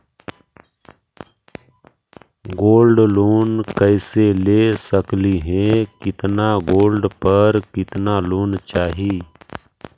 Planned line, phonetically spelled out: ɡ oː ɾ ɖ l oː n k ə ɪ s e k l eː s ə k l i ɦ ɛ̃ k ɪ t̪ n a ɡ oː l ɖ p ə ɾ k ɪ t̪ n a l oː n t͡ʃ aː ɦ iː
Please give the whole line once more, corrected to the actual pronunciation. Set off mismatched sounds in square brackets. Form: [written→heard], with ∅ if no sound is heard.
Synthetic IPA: ɡ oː [ɾ→l] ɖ l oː n k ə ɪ s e [k→∅] l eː s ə k l i ɦ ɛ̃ k ɪ t̪ n a ɡ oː l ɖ p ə ɾ k ɪ t̪ n a l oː n t͡ʃ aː ɦ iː

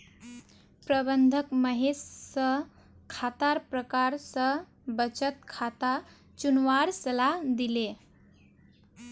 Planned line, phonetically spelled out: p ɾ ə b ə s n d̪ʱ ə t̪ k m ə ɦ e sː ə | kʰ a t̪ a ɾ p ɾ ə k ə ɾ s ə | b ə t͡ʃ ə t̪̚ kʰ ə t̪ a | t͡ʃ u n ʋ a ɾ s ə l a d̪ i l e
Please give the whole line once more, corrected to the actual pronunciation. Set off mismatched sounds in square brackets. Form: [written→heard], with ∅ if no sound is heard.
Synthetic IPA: p ɾ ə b ə [s→∅] n d̪ʱ ə [t̪→∅] k m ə ɦ e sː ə | kʰ a t̪ a ɾ p ɾ ə k [ə→a] ɾ s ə | b ə t͡ʃ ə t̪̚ kʰ [ə→a] t̪ a | t͡ʃ u n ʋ a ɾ s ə l a d̪ i l e

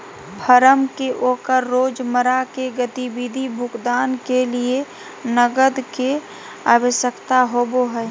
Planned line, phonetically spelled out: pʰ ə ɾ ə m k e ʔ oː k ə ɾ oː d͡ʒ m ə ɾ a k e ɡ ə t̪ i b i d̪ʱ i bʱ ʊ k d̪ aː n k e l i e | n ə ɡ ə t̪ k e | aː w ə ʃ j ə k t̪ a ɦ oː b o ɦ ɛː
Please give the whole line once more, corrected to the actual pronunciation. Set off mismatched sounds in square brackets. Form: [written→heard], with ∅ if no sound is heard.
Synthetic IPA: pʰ ə ɾ ə m k e ʔ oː k ə [ɾ→ɾː] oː d͡ʒ m ə ɾ a k e ɡ ə t̪ i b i d̪ʱ i bʱ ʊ k d̪ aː n k e l i e | n ə ɡ ə [t̪→d̪] k e | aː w ə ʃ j ə k t̪ a ɦ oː b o ɦ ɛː

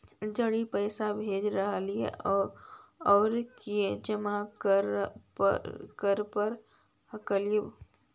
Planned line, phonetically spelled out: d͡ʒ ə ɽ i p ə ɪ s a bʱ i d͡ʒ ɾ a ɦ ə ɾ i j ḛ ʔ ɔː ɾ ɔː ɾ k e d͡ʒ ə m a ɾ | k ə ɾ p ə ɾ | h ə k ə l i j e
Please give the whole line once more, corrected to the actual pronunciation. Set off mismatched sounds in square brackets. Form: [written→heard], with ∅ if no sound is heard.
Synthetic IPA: d͡ʒ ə ɽ i p ə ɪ s a bʱ [i→e] d͡ʒ ɾ [a→ə] ɦ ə [ɾ→l] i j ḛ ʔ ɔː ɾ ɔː ɾ k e d͡ʒ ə m a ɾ | k ə ɾ p ə ɾ | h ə k ə l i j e

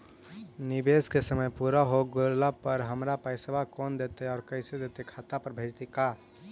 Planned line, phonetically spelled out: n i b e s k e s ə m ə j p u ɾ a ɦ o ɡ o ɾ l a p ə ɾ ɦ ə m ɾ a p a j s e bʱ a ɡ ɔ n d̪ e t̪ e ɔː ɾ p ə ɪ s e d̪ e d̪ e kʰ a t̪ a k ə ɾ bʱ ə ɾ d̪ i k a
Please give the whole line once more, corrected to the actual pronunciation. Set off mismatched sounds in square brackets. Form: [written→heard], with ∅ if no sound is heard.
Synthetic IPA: n i b e s k e s ə m ə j p u ɾ a ɦ o ɡ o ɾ l a p ə ɾ ɦ ə m ɾ a p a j s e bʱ a [ɡ→k] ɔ n d̪ e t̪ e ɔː ɾ [p→k] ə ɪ s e d̪ e [d̪→t̪] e kʰ a t̪ a [k→p] ə ɾ bʱ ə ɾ [d̪→t̪] i k a

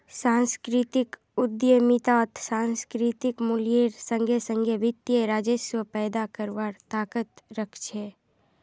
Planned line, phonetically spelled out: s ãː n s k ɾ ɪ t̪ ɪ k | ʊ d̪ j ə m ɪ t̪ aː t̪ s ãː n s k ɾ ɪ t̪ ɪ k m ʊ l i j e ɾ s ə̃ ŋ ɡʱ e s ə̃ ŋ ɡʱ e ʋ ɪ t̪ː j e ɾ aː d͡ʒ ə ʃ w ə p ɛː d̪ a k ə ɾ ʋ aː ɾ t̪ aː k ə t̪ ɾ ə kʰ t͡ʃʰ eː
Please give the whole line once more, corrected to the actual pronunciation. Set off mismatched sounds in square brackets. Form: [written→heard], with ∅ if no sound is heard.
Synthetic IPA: s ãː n s k ɾ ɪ t̪ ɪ k | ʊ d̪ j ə m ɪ t̪ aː t̪ s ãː n s k ɾ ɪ t̪ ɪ k m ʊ l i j e ɾ s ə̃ ŋ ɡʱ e s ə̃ ŋ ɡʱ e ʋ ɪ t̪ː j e ɾ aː d͡ʒ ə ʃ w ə p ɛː d̪ a k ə ɾ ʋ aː ɾ t̪ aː k ə t̪ ɾ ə kʰ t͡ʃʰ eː

